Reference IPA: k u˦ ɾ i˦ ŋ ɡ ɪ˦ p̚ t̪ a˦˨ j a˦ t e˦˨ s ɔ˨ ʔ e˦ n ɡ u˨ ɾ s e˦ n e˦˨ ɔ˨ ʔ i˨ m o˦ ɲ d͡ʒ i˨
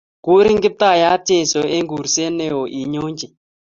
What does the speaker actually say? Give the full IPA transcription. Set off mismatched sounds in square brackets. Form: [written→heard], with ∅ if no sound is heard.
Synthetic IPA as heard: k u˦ ɾ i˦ ŋ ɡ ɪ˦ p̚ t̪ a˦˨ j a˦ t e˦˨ s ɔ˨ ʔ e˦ [n→ŋ] ɡ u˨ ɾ s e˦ n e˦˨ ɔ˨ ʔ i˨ [m→ɲ] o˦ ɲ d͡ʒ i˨

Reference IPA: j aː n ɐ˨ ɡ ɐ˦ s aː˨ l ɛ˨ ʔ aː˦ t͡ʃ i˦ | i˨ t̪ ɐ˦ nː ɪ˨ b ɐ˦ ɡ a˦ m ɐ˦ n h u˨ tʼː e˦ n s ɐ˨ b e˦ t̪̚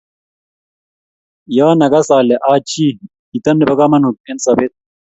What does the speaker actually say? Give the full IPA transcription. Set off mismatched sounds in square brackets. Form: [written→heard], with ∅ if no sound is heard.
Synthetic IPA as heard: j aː n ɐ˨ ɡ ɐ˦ s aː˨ l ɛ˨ ʔ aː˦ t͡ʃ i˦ | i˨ t̪ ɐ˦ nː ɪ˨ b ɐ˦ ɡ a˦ m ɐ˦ n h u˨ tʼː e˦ n s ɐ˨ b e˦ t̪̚

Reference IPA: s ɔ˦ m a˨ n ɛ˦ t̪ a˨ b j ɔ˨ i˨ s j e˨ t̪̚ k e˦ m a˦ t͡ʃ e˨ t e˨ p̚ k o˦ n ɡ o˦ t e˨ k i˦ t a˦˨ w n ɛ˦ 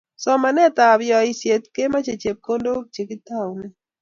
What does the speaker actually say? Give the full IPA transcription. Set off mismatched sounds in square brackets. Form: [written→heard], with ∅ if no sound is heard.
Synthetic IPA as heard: s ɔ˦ m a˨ n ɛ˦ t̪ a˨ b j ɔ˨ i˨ s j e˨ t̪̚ k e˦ m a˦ t͡ʃ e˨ [t→t͡ʃ] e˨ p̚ k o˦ n [ɡ→d] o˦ [t→t͡ʃ] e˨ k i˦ t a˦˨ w n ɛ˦

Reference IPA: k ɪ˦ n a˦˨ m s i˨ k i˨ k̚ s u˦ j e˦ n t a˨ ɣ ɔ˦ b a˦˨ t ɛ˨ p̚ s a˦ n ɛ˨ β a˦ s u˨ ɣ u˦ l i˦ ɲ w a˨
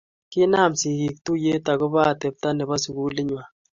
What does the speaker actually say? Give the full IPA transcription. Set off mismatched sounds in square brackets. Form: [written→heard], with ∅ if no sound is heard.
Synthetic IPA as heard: k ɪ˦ n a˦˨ m s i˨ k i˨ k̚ [s→t] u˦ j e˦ [n→∅] t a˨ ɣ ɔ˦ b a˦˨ t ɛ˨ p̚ [s→t] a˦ n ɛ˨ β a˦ s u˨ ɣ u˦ l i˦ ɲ w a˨

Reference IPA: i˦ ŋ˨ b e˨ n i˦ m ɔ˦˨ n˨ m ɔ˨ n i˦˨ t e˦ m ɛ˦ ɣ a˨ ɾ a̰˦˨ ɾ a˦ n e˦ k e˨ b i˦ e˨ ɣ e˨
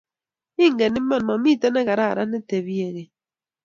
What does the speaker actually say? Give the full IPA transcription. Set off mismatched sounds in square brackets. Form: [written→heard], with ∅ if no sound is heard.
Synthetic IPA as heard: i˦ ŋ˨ [b→ɡ] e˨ n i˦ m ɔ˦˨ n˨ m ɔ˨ [n→m] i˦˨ t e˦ [m→n] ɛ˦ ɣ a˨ ɾ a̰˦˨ ɾ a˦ n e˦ [k→t] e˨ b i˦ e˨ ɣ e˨

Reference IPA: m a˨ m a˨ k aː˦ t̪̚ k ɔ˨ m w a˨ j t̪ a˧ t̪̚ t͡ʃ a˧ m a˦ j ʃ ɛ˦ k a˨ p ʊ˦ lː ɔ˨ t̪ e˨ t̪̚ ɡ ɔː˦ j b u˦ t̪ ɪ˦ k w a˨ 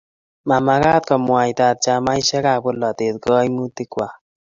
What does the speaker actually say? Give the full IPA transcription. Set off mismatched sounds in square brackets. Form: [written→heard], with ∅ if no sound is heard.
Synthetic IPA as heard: m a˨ m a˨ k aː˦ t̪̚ k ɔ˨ m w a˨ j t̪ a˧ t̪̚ t͡ʃ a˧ m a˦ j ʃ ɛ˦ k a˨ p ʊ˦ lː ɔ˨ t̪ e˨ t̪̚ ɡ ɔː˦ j [b→m] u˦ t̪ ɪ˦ k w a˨

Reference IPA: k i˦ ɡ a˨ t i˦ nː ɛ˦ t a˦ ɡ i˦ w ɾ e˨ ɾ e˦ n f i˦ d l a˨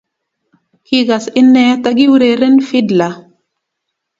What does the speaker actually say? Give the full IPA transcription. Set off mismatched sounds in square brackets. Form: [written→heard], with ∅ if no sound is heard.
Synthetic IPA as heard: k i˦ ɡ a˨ [t→s] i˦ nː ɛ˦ t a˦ ɡ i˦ w ɾ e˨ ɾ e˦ n f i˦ d l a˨

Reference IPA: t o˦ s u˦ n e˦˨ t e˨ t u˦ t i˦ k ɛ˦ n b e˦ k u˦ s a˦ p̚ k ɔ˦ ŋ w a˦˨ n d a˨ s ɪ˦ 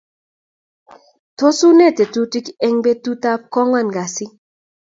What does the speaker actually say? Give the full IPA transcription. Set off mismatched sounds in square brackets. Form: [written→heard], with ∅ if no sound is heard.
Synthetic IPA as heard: t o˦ s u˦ n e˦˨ t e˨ t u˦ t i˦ k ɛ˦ [n→ŋ] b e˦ [k→t] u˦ [s→t] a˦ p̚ k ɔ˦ ŋ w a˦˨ n [d→ɡ] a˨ s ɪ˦

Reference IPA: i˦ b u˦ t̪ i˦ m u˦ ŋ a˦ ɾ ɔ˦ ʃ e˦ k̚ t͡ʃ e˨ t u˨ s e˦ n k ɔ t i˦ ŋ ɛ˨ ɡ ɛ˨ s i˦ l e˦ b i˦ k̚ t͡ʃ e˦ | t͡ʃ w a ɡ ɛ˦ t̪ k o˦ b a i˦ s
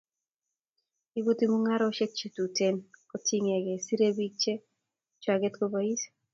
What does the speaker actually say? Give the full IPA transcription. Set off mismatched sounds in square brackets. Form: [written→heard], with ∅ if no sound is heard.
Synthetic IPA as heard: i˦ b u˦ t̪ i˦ m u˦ ŋ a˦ ɾ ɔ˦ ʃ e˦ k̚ t͡ʃ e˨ t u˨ [s→t] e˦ n k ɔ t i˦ ŋ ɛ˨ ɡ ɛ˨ s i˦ [l→ɾ] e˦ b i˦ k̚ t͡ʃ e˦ | t͡ʃ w a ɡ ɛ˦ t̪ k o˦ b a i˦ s

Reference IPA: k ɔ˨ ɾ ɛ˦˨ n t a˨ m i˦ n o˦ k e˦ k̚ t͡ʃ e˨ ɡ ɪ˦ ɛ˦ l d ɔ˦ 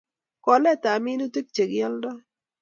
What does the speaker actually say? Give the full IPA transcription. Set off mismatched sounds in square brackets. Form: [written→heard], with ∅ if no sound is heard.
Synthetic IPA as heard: k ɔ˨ [ɾ→l] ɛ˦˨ [n→∅] t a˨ m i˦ n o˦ [k→t] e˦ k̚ t͡ʃ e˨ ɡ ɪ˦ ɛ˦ l d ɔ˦

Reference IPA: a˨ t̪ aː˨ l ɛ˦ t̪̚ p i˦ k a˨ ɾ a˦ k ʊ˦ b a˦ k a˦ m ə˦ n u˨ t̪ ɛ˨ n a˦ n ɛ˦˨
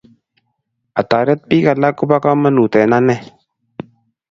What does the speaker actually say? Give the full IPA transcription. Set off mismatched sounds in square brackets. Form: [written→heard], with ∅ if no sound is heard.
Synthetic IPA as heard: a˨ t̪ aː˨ [l→ɾ] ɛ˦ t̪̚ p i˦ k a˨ [ɾ→l] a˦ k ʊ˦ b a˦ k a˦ m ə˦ n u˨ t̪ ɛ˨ n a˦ n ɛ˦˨

